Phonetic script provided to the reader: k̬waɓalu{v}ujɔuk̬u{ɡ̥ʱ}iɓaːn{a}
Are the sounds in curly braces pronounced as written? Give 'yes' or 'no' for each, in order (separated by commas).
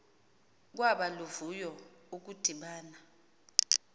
yes, no, yes